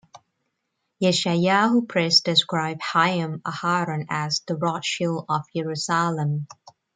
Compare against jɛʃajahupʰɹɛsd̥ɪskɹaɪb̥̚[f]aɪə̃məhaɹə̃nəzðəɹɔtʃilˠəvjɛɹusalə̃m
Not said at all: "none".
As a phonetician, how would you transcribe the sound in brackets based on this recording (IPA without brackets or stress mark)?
h